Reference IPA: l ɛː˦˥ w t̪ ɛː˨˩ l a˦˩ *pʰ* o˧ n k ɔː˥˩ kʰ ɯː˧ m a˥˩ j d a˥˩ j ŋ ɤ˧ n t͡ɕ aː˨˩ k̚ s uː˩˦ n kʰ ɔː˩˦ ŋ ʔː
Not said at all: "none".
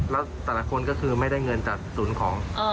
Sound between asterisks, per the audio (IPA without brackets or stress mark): kʰ